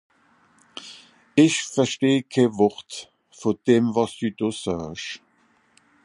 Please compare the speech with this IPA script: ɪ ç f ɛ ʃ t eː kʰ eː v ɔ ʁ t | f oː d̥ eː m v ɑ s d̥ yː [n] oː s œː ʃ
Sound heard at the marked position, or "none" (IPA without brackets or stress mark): d